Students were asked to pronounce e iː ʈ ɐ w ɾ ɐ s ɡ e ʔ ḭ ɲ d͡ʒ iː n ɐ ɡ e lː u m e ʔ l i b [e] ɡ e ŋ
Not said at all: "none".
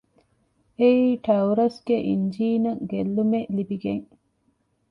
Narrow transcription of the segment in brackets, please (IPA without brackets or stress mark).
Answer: i